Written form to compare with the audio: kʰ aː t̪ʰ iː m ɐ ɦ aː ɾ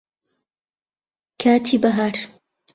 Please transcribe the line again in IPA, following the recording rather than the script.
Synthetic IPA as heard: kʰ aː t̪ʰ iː b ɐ ɦ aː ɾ